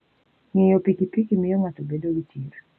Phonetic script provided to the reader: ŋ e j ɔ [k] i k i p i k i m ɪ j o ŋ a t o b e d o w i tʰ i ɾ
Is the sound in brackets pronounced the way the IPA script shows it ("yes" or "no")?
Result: no